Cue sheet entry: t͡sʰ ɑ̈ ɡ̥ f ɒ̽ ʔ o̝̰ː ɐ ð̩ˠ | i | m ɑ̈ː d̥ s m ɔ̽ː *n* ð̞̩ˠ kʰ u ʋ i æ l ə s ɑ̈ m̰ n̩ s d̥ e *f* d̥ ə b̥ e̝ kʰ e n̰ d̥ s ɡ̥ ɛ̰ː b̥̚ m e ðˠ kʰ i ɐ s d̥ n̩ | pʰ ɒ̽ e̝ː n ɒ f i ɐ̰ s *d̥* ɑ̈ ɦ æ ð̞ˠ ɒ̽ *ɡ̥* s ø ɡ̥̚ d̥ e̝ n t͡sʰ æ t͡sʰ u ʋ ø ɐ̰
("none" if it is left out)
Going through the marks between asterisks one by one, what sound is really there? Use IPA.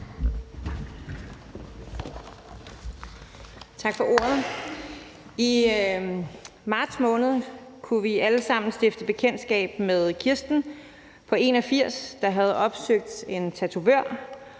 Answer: n, f, d̥, b̥

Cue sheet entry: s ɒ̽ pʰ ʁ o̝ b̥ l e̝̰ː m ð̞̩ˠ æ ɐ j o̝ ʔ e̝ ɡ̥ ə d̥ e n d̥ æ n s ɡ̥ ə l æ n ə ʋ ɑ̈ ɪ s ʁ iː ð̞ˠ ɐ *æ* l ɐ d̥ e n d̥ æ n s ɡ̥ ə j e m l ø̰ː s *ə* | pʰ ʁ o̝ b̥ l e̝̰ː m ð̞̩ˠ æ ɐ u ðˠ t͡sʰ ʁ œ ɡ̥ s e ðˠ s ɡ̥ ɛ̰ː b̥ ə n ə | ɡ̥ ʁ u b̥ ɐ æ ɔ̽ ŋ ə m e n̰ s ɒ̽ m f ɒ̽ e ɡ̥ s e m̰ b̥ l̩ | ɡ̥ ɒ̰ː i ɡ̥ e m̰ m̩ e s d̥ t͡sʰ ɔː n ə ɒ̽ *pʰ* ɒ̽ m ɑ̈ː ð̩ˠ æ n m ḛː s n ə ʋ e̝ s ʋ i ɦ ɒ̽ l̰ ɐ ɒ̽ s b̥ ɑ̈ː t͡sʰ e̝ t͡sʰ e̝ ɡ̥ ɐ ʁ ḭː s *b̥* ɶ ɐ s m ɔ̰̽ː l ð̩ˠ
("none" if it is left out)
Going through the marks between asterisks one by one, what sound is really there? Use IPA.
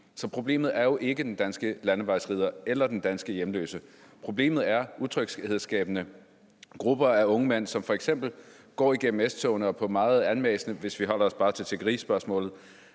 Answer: e, ə, pʰ, b̥

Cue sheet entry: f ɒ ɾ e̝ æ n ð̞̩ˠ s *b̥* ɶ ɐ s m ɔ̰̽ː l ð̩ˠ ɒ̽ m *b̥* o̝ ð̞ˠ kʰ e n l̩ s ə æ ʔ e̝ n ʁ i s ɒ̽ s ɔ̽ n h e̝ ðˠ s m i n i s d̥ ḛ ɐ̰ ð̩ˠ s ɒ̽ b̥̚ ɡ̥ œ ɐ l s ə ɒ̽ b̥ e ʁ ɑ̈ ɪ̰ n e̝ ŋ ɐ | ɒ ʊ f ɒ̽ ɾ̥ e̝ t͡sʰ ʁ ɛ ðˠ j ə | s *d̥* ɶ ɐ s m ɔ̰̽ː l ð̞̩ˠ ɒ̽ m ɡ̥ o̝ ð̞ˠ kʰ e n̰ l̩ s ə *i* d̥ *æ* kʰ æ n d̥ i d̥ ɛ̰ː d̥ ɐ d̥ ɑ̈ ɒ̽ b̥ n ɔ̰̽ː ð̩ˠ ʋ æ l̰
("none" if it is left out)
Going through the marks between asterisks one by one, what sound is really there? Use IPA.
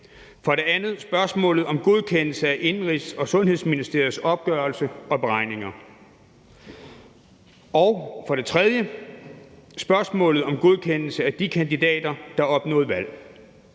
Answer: b̥, ɡ̥, b̥, æ, i

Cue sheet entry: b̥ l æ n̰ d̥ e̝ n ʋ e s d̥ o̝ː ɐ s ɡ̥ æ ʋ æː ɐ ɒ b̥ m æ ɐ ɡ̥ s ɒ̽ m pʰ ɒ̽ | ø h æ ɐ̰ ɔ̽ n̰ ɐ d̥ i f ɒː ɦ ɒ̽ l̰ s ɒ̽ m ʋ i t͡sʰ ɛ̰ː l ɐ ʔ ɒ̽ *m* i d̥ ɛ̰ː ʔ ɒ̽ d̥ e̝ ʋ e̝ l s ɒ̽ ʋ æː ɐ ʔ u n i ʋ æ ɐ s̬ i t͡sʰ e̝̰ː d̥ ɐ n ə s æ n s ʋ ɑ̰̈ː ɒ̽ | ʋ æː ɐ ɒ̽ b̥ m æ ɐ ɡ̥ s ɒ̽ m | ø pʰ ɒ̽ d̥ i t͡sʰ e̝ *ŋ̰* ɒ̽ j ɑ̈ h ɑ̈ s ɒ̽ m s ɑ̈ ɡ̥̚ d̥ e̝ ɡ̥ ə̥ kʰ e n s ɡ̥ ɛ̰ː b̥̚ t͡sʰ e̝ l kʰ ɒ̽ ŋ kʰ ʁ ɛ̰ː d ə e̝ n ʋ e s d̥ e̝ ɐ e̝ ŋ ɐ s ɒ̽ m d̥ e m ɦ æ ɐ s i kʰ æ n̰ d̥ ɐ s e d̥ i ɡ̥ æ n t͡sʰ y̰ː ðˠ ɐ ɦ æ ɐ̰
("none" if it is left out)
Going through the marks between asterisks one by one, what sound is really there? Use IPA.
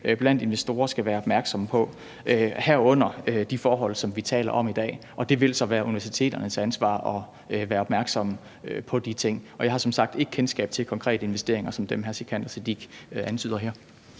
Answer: m, ŋ̰

